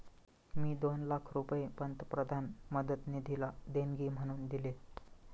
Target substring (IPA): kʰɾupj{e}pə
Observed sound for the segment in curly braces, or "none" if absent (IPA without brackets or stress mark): e